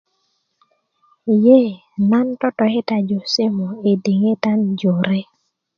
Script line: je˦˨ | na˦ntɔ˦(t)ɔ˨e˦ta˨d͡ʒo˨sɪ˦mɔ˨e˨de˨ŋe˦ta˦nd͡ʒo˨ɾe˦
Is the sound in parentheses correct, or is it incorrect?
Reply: correct